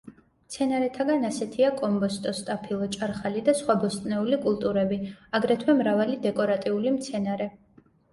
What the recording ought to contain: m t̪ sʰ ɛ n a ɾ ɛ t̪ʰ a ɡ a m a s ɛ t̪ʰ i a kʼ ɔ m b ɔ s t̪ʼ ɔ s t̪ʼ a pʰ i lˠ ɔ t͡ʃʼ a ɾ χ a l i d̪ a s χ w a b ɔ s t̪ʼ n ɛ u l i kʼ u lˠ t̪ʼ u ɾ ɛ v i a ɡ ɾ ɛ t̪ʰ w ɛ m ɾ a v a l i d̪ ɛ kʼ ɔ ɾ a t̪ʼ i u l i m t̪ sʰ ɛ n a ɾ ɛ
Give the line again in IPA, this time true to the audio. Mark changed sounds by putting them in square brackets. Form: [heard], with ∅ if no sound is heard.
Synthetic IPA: m t̪ sʰ ɛ n a ɾ ɛ t̪ʰ a ɡ a [n] a s ɛ t̪ʰ i a kʼ ɔ m b ɔ s t̪ʼ ɔ s t̪ʼ a pʰ i lˠ ɔ t͡ʃʼ a ɾ χ a l i d̪ a s χ w a b ɔ s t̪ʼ n ɛ u l i kʼ u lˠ t̪ʼ u ɾ ɛ [b] i a ɡ ɾ ɛ t̪ʰ w ɛ m ɾ a v a l i d̪ ɛ kʼ ɔ ɾ a t̪ʼ i u l i m t̪ sʰ ɛ n a ɾ ɛ